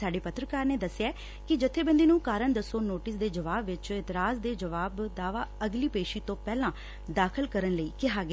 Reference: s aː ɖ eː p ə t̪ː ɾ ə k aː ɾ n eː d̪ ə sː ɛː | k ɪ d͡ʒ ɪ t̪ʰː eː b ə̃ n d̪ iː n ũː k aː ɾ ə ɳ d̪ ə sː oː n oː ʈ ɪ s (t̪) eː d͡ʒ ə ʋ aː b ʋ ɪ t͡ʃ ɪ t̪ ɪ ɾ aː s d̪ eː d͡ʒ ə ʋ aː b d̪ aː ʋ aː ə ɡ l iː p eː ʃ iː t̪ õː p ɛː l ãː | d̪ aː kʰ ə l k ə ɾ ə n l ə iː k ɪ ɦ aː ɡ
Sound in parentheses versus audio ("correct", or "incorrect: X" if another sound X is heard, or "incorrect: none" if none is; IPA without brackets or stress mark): incorrect: d̪